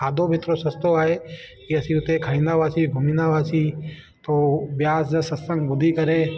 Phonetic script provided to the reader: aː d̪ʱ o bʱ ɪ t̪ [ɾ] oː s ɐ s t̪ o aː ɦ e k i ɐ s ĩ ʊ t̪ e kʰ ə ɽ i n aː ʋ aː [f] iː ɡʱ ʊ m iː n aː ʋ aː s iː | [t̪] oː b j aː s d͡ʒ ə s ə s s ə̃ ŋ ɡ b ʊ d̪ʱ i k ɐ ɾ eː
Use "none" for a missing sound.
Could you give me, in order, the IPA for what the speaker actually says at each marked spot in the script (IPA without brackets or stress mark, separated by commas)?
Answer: ɾ, s, t̪